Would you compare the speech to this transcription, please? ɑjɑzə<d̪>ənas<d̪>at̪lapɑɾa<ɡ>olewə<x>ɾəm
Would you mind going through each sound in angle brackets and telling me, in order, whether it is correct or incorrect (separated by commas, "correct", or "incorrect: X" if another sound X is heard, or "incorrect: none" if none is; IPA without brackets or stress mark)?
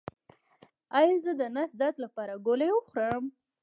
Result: correct, correct, correct, correct